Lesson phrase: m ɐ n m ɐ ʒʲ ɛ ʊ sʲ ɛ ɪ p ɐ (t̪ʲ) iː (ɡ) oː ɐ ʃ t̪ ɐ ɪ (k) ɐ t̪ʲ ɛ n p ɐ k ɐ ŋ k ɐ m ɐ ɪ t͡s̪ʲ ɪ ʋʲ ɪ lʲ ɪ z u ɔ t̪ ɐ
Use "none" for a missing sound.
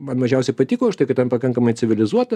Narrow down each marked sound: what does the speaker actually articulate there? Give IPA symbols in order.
t̪ʲ, k, k

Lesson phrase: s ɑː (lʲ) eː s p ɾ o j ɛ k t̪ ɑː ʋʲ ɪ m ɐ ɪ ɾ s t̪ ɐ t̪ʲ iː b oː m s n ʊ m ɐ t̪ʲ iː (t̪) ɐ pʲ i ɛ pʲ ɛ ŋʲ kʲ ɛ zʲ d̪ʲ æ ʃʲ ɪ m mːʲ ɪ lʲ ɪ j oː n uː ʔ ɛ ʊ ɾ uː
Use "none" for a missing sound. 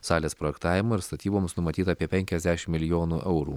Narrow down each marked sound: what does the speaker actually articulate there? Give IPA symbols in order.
lʲ, t̪

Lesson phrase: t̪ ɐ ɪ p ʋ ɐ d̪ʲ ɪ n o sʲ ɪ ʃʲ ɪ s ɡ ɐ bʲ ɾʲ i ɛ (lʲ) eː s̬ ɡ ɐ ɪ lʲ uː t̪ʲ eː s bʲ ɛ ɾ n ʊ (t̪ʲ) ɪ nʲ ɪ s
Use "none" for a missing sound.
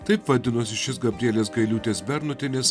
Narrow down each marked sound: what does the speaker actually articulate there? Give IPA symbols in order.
lʲ, t̪ʲ

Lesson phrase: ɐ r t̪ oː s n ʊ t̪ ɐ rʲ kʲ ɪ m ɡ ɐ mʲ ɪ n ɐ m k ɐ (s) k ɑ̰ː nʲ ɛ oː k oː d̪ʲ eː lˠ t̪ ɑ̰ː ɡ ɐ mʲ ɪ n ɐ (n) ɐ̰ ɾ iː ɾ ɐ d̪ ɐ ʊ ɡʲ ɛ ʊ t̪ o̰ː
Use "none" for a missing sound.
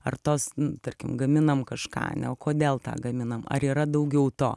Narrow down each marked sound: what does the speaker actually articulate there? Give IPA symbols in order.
ʃ, m

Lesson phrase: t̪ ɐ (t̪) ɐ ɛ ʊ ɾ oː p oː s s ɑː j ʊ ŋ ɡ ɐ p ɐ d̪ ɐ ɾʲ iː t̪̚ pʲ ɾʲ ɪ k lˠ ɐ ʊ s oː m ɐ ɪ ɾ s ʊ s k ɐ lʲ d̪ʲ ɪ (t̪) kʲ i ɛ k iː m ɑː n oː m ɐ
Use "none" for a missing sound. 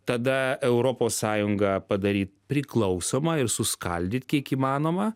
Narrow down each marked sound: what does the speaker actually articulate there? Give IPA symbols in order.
d̪, t̪

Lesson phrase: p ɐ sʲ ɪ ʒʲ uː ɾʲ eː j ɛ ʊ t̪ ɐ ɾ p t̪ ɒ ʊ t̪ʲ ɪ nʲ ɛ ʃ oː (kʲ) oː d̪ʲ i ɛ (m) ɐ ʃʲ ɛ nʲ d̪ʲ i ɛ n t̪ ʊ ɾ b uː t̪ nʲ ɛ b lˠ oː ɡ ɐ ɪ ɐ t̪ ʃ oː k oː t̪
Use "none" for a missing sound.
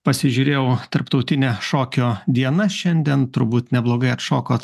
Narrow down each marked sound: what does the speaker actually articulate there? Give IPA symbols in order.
kʲ, n

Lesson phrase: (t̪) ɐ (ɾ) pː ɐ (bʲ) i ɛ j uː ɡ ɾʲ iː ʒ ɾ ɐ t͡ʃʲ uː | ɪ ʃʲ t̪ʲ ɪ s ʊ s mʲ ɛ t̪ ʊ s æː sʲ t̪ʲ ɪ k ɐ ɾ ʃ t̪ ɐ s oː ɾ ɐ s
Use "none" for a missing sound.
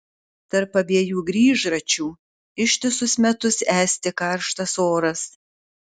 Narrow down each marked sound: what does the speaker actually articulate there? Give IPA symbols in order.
t̪, ɾ, bʲ

